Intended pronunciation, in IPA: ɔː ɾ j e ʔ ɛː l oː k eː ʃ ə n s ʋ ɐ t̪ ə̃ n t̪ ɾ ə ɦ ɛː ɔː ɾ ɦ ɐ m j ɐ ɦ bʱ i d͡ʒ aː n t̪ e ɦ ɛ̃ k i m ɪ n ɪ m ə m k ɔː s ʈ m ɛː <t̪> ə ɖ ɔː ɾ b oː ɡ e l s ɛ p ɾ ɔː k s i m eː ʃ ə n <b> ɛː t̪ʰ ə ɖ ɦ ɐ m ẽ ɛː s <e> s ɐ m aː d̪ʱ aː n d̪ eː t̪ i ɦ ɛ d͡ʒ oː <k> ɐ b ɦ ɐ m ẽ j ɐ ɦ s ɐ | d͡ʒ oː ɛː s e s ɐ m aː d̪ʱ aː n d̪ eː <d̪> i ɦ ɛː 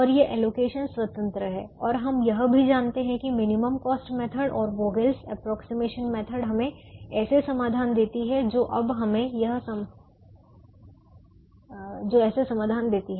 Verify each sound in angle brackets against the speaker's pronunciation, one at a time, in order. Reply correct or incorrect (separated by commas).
incorrect, incorrect, correct, incorrect, incorrect